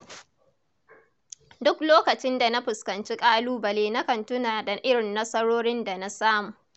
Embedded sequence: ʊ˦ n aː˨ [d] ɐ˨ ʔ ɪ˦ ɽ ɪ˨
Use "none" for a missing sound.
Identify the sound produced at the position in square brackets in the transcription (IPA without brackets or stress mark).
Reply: d